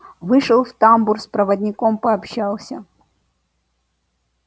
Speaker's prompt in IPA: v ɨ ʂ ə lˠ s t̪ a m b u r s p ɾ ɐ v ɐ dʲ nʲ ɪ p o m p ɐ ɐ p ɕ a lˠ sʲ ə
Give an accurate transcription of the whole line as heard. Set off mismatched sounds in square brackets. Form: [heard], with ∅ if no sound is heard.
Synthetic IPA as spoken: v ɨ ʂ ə lˠ [f] t̪ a m b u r s p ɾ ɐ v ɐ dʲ nʲ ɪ [k] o m p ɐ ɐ p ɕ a lˠ sʲ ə